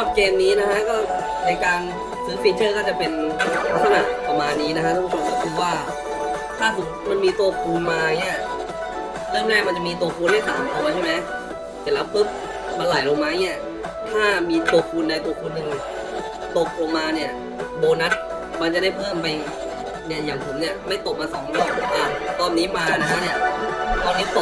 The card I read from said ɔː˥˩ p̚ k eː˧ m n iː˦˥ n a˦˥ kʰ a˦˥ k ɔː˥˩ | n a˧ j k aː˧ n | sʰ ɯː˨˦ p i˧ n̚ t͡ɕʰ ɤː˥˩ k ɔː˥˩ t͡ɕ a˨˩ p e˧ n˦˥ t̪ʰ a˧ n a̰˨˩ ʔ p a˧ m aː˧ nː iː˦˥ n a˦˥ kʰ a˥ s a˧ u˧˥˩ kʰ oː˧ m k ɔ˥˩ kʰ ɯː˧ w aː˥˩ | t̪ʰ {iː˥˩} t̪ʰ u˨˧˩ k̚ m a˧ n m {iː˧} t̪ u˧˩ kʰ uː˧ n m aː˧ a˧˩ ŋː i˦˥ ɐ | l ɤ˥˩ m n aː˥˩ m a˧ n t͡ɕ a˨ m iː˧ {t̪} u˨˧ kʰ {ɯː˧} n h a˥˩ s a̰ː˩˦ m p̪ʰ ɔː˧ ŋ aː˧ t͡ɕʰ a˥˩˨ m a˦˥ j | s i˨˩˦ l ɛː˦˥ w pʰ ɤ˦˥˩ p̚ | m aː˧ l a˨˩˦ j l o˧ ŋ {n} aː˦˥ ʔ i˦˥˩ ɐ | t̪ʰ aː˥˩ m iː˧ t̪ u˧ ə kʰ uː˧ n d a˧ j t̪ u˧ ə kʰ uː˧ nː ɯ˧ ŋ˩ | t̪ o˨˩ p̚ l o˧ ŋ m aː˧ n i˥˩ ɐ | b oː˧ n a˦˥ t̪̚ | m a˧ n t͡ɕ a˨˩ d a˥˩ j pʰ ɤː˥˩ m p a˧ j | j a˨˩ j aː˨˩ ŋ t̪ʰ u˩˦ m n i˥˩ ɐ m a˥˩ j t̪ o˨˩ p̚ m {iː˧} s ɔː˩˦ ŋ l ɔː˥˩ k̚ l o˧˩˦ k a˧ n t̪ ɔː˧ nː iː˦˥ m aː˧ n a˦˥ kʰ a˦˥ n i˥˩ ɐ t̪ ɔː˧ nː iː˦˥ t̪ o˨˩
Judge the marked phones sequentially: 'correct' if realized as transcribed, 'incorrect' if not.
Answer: incorrect: aː˥˩, correct, correct, incorrect: uː˧, incorrect: m, incorrect: aː˧

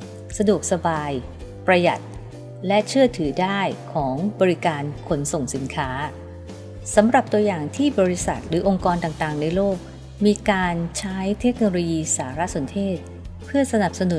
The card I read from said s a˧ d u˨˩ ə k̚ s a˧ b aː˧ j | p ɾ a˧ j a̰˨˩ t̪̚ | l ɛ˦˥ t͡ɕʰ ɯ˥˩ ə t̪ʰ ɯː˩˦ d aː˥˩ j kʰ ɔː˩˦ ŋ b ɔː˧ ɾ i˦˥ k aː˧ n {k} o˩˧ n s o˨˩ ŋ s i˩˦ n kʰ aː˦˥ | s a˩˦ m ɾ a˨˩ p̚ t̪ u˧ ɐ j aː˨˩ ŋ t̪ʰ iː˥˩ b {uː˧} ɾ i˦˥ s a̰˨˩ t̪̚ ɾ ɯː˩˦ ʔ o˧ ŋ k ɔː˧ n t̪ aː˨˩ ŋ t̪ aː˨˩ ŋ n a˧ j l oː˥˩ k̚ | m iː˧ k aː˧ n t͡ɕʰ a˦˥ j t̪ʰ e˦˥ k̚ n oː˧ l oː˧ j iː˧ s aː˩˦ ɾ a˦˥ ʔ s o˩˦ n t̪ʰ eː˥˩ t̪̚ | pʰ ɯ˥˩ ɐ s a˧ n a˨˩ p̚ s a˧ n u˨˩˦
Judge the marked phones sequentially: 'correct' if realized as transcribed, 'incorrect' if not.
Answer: incorrect: kʰ, incorrect: ɔː˧

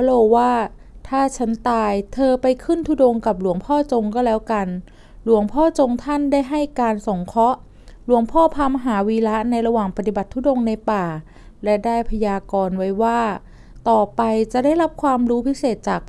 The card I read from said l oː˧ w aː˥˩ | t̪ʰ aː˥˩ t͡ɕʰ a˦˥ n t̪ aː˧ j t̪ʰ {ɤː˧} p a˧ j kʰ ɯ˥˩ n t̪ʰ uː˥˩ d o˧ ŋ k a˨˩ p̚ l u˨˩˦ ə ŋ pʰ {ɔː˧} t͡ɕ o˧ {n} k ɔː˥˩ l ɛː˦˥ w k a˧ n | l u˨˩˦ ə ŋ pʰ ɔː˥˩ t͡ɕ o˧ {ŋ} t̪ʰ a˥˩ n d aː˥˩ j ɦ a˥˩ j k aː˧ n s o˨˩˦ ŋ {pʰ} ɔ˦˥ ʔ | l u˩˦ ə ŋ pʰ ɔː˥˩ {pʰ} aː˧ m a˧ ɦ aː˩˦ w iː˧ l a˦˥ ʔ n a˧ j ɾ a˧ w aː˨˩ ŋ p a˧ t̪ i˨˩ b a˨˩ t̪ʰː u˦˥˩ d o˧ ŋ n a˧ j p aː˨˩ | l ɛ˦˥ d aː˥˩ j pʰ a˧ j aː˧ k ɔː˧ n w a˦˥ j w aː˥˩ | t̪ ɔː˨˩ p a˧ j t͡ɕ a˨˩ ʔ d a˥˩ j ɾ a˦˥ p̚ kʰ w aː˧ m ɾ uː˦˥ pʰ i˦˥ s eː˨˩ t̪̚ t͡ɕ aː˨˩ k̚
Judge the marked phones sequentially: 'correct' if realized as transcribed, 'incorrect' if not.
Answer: correct, incorrect: ɔː˥˩, incorrect: ŋ, correct, incorrect: kʰ, correct

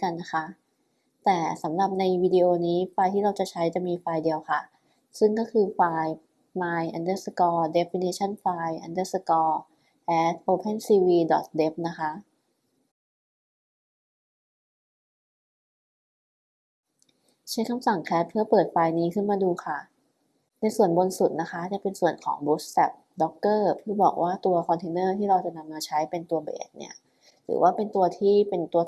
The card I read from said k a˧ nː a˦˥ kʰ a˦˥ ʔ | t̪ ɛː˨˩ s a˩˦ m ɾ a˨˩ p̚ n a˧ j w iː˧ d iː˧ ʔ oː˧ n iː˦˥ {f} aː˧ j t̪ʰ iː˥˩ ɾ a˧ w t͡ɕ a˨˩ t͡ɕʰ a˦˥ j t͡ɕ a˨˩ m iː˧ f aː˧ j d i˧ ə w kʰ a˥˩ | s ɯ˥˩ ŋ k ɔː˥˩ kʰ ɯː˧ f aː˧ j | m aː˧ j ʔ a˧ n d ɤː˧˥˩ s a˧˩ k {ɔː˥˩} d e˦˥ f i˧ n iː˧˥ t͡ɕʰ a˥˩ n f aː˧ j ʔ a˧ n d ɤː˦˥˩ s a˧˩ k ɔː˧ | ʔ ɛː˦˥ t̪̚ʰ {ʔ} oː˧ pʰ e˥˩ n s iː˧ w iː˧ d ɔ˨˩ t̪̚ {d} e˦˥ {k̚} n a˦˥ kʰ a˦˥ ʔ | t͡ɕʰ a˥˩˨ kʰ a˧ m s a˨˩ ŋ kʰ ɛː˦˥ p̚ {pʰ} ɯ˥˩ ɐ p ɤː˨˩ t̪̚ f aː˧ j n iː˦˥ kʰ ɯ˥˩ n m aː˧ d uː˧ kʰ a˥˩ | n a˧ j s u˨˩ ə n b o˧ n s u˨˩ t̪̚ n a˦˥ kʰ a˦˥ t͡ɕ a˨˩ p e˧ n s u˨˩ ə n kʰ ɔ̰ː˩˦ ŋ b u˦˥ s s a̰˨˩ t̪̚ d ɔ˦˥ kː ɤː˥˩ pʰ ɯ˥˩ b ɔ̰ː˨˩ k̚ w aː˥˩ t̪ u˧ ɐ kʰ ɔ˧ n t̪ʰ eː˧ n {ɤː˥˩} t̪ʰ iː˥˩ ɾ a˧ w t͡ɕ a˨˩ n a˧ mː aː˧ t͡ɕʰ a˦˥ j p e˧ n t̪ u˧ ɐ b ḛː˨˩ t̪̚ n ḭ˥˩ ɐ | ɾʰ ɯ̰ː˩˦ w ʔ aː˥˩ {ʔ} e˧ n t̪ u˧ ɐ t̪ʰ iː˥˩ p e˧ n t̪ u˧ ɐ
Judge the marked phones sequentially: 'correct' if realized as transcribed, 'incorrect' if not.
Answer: correct, incorrect: ɔː˧, correct, correct, incorrect: p̚, correct, correct, incorrect: p

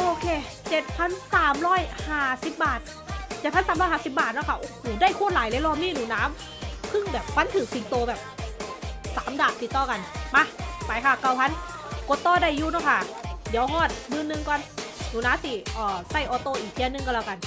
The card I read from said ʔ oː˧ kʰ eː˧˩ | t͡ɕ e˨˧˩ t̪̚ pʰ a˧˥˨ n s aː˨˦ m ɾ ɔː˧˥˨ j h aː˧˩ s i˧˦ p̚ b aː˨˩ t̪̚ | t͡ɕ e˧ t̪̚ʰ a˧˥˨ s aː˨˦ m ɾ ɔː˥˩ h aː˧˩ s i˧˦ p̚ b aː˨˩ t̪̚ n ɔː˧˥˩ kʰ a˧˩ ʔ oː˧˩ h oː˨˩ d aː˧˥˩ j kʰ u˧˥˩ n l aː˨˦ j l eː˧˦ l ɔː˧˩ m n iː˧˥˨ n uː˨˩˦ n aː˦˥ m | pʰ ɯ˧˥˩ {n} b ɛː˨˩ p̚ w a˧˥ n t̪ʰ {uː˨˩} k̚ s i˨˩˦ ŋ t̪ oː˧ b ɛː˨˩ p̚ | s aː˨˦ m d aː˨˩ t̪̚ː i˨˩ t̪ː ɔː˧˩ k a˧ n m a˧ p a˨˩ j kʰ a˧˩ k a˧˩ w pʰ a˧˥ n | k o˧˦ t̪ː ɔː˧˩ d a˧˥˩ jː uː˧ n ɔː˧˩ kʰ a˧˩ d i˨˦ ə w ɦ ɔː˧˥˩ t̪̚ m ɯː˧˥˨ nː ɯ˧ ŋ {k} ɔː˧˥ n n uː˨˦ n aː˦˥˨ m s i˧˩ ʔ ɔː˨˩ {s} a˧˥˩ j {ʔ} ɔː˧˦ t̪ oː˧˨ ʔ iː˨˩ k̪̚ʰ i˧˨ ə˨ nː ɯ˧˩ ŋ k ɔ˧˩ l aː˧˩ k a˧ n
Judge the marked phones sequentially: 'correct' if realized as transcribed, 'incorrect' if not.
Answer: incorrect: ŋ, incorrect: ɯː˨˩, correct, correct, correct

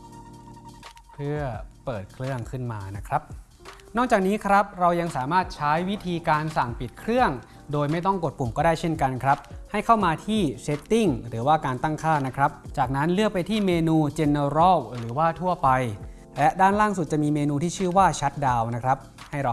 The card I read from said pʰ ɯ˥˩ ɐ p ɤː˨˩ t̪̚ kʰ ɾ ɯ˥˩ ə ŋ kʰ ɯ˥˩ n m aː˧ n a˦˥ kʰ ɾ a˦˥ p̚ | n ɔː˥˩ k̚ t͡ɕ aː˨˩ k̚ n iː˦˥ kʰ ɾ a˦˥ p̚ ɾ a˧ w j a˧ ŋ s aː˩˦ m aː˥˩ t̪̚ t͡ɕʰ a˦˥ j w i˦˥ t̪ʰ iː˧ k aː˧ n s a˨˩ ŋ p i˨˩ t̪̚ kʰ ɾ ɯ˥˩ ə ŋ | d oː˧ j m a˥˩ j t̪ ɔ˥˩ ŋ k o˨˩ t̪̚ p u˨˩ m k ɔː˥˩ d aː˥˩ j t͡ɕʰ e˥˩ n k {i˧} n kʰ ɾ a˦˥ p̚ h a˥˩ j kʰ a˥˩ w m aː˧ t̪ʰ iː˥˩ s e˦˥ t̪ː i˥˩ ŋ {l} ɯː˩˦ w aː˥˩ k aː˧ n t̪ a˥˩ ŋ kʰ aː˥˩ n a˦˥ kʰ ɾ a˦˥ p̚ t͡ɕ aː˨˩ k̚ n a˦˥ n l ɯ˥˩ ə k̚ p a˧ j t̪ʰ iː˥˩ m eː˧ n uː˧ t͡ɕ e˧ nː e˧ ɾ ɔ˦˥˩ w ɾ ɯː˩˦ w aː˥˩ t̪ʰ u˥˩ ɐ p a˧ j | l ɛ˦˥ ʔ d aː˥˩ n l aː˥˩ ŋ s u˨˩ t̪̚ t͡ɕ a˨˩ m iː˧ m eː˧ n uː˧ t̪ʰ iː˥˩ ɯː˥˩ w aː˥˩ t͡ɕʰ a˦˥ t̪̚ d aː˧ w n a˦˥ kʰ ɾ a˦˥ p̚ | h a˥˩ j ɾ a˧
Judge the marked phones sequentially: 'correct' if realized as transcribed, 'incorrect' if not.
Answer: incorrect: a˧, incorrect: ɾ

